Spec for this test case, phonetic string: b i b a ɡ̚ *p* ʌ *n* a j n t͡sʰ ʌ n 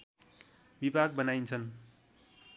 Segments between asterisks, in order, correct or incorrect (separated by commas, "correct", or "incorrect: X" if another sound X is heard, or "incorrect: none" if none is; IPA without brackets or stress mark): incorrect: b, correct